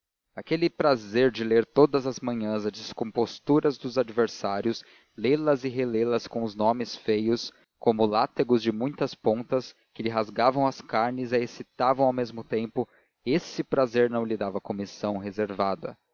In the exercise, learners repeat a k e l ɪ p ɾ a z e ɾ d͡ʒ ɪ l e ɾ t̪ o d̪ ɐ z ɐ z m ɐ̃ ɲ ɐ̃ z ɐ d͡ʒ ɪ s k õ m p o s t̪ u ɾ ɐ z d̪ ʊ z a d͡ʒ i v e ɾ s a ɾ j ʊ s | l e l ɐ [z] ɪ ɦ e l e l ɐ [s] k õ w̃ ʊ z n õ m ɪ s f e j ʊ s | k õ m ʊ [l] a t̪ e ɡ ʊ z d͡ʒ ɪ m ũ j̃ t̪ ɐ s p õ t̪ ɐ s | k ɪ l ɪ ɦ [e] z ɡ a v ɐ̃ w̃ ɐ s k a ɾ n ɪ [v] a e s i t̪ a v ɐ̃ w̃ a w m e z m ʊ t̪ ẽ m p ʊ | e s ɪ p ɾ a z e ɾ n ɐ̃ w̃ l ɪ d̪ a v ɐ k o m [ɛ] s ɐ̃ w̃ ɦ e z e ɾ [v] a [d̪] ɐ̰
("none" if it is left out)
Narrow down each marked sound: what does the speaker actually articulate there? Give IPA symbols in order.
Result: z, s, l, a, z, i, v, d̪

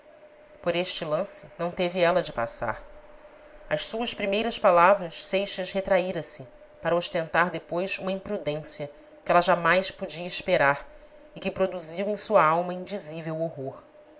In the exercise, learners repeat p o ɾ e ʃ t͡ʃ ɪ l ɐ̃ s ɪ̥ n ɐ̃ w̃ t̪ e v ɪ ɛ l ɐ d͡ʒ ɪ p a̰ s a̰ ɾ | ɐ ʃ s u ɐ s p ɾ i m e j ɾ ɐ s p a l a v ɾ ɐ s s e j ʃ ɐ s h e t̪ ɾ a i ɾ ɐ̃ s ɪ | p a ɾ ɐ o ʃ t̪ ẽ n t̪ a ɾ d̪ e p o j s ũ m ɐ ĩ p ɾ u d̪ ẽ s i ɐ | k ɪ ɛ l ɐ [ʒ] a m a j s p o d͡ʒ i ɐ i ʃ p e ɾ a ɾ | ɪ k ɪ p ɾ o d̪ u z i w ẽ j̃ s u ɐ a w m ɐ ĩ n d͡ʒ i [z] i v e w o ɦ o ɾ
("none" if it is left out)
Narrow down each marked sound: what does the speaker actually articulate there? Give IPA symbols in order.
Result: ʒ, z

